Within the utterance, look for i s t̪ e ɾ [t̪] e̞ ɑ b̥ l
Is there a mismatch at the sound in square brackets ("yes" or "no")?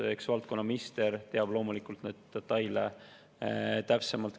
no